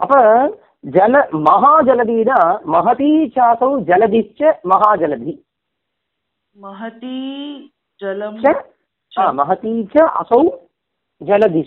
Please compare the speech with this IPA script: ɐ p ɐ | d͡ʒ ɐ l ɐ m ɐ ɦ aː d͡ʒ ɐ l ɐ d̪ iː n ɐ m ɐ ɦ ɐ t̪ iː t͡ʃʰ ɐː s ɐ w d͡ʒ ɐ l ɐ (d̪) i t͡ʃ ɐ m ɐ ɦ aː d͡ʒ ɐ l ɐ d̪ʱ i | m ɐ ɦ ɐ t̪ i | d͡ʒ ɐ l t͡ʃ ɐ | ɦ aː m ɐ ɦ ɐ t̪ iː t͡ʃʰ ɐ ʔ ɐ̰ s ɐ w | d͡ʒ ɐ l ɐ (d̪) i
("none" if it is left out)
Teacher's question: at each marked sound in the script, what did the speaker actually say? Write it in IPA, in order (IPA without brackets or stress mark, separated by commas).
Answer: d̪, d̪